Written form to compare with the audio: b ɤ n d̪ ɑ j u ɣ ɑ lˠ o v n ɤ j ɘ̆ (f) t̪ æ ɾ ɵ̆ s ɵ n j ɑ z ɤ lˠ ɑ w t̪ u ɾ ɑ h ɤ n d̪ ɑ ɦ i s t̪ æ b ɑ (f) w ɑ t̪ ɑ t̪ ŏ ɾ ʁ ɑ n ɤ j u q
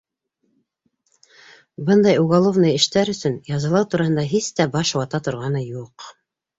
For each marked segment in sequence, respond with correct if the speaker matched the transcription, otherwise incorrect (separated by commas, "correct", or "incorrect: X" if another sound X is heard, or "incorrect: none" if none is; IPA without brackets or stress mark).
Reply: incorrect: ʃ, incorrect: ʃ